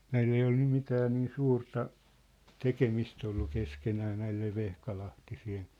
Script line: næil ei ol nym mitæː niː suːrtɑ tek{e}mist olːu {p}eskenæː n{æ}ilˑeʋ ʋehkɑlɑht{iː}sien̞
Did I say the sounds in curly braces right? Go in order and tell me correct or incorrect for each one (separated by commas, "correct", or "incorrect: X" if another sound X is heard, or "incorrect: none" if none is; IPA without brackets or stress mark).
correct, incorrect: k, correct, incorrect: i